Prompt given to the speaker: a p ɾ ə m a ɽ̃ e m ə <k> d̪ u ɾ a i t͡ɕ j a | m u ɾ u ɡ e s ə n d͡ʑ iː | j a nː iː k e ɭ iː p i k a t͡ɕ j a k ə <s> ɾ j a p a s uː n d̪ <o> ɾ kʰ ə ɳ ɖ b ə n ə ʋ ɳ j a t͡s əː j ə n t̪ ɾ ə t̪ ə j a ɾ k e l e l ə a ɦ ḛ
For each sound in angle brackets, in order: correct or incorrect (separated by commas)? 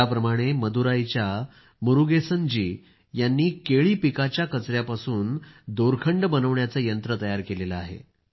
incorrect, incorrect, correct